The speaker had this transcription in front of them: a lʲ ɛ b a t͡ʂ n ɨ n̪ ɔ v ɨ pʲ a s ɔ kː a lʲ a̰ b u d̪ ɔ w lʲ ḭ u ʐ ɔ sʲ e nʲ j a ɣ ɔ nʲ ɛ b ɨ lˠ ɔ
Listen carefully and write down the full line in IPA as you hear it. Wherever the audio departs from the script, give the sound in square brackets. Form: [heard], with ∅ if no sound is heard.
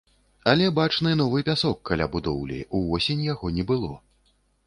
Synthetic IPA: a lʲ ɛ b a t͡ʂ n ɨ n̪ ɔ v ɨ pʲ a s ɔ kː a lʲ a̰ b u d̪ ɔ w lʲ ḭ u [v] ɔ sʲ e nʲ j a ɣ ɔ nʲ ɛ b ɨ lˠ ɔ